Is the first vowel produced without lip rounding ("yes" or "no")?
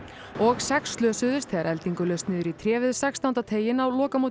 no